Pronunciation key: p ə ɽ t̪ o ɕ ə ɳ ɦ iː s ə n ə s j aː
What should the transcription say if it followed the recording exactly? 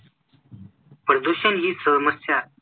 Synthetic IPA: p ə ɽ d̪ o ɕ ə n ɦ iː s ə m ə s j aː